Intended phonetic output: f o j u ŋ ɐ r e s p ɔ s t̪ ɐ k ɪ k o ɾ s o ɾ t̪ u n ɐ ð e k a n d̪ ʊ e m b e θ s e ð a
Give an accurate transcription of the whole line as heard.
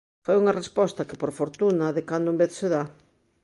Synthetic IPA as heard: f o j u ŋ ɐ r e s p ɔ s t̪ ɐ k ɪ p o ɾ f o ɾ t̪ u n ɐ ð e k a n d̪ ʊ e m b e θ s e ð a